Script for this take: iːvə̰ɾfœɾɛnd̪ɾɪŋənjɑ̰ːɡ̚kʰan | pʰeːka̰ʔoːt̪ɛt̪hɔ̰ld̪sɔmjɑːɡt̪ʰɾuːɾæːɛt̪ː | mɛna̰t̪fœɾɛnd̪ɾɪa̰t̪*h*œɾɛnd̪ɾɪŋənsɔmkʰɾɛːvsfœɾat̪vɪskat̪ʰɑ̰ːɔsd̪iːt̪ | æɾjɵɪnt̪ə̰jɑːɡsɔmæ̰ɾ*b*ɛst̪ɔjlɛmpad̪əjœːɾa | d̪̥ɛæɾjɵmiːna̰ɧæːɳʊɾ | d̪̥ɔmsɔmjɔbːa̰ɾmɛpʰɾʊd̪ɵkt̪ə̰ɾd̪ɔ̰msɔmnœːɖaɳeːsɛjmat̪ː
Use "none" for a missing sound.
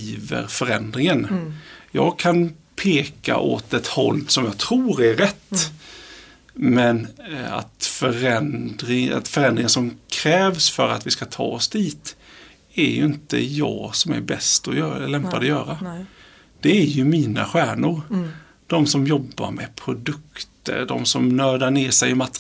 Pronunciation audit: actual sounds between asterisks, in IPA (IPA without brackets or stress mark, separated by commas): f, b